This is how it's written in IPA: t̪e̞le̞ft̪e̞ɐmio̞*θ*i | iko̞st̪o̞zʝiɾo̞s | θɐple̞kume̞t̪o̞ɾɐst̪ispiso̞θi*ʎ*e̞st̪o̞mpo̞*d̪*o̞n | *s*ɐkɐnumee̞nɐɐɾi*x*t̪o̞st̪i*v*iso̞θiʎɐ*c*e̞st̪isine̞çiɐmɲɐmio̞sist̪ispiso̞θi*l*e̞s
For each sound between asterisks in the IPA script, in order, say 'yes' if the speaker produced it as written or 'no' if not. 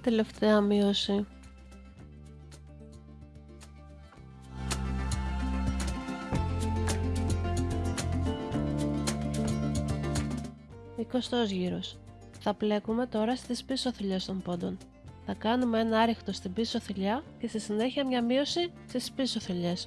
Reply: no, yes, yes, no, yes, no, yes, no

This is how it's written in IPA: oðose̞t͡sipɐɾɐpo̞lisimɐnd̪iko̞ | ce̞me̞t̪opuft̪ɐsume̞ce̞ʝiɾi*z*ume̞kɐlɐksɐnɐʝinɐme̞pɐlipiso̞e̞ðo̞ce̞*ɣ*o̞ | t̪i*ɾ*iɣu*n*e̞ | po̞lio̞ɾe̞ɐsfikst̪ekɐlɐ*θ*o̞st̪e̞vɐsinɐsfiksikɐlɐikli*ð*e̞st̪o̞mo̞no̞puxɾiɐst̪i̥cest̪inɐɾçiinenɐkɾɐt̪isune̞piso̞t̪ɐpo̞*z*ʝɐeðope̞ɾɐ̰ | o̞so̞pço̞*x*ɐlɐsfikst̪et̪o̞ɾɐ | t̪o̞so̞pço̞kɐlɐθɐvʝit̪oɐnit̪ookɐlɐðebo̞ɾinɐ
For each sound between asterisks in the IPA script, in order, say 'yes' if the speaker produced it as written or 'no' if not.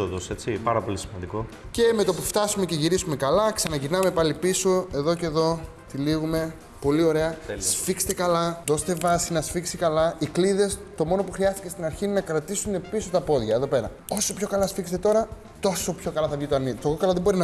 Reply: no, no, no, no, no, yes, no, no

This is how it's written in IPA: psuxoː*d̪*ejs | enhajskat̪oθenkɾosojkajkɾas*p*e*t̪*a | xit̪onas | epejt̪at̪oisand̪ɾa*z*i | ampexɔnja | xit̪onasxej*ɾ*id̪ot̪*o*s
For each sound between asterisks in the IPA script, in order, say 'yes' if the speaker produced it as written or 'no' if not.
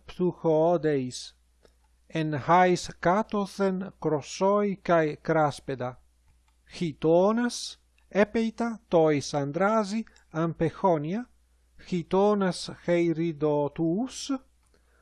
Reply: yes, yes, no, yes, yes, no

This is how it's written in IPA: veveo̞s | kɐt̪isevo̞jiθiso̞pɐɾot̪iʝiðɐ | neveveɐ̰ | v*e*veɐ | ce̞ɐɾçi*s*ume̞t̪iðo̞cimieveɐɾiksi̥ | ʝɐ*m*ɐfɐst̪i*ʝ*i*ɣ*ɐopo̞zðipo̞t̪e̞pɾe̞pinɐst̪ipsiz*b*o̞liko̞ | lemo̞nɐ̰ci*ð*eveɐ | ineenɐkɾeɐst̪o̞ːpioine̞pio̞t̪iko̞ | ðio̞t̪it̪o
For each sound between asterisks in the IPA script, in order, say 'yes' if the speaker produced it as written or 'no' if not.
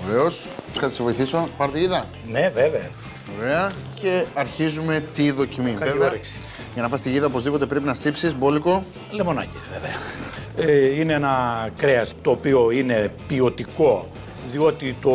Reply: yes, no, no, yes, no, yes, no

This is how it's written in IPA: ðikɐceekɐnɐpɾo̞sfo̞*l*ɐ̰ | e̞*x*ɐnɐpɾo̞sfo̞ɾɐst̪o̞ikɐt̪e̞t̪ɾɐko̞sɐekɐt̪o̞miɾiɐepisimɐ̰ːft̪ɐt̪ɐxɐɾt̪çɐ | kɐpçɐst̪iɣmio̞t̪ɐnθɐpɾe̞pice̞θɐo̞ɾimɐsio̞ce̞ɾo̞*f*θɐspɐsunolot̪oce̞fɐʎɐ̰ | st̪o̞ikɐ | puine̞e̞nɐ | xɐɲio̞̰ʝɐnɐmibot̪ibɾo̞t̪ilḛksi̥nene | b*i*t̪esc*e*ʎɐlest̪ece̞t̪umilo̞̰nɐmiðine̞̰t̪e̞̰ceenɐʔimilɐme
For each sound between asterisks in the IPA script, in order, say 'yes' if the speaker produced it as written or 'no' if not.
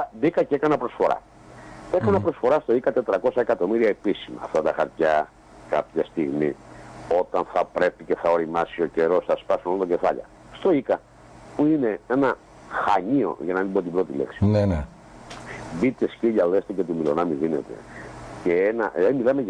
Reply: no, no, no, yes, no

